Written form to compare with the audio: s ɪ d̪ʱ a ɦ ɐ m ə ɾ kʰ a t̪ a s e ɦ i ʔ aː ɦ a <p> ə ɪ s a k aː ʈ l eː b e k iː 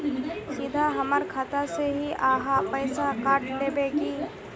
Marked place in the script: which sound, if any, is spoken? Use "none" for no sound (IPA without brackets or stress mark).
p